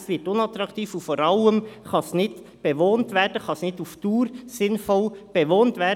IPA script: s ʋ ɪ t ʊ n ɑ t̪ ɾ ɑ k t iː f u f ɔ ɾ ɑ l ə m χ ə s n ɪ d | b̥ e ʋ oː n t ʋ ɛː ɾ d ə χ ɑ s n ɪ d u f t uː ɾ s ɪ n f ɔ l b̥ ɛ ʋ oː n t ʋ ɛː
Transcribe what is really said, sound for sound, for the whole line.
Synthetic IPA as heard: s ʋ ɪ t ʊ n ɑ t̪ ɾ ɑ k t iː f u f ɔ ɾ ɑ l ə m χ ɑ s n ɪ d | b̥ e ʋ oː n t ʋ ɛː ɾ d ə χ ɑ s n ɪ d u f t uː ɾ s ɪ n f ɔ l b̥ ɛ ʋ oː n t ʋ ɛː